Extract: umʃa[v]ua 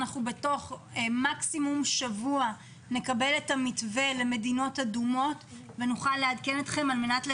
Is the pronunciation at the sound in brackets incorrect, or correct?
correct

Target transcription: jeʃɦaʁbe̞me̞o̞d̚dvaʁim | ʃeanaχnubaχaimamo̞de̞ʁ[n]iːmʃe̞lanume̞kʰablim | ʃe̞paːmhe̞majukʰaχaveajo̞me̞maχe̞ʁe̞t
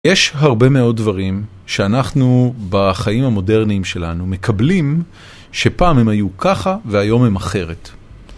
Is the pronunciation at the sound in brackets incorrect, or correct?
correct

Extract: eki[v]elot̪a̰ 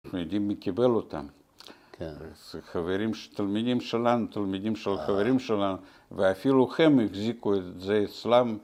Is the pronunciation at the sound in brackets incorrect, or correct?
incorrect: b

